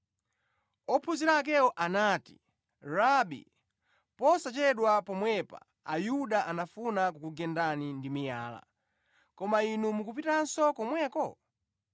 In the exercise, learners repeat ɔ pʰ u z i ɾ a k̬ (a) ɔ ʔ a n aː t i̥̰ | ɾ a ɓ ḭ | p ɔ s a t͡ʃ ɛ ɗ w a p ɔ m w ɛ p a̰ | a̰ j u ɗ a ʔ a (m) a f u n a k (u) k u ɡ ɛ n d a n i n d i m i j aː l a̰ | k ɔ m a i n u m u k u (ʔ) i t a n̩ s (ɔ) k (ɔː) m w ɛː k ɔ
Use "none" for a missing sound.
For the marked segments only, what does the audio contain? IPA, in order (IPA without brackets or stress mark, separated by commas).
ɛ, n, u, p, ɔ, ɔ